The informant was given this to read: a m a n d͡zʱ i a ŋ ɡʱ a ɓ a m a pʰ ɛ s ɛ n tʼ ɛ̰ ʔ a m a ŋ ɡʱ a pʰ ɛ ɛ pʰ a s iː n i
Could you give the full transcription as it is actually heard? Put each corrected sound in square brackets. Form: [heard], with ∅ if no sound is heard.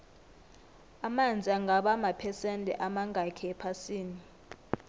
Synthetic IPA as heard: a m a n d͡zʱ i a ŋ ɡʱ a ɓ a m a pʰ ɛ s ɛ n tʼ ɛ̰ ʔ a m a ŋ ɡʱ a [kʰ] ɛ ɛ pʰ a s iː n i